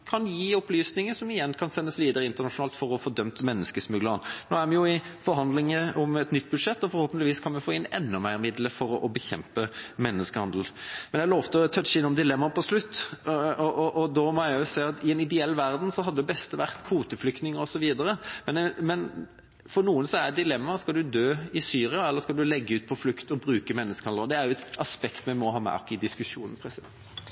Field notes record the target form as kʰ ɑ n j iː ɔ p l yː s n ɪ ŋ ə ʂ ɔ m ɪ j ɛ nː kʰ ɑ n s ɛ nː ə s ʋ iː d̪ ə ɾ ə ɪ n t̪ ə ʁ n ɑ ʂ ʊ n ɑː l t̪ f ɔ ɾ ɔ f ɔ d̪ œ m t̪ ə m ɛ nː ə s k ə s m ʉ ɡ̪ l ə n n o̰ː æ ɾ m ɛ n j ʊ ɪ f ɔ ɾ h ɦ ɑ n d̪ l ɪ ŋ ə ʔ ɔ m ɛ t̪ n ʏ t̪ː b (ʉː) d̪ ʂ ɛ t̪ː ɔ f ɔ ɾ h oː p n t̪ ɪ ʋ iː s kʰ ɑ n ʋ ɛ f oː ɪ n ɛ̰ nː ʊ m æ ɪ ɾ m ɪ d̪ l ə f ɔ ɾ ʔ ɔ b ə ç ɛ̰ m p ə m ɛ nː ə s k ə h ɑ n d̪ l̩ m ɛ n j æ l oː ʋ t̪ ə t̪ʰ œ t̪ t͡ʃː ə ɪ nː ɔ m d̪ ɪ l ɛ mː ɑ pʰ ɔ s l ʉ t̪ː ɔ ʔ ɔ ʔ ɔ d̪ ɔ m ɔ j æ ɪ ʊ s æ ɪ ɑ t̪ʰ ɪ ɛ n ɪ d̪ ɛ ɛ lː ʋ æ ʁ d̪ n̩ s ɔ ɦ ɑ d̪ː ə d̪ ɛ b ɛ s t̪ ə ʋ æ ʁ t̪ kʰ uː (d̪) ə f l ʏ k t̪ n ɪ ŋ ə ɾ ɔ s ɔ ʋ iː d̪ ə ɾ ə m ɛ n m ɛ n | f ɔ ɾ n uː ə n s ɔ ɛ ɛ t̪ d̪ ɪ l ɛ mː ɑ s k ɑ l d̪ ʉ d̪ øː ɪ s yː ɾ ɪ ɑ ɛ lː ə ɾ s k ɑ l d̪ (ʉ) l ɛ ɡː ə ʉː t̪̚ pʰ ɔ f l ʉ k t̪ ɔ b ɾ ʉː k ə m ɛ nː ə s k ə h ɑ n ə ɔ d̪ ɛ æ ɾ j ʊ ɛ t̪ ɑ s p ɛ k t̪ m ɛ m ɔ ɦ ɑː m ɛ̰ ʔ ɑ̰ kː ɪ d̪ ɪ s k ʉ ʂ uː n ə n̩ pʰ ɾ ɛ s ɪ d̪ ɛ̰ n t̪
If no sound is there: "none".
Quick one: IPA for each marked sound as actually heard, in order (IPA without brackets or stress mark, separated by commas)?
ʉ, t̪, ʉ